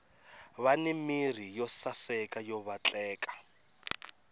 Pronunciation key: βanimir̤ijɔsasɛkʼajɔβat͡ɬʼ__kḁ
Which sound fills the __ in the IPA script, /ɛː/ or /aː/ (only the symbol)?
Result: ɛː